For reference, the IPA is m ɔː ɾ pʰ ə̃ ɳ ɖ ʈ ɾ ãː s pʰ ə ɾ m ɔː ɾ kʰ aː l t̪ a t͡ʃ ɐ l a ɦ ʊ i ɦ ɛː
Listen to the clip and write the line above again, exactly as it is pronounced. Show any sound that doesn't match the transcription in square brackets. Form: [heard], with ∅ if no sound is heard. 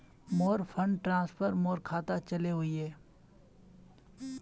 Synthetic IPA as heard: m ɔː ɾ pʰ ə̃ ɳ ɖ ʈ ɾ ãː s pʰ ə ɾ m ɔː ɾ kʰ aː [∅] t̪ a t͡ʃ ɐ l [e] ɦ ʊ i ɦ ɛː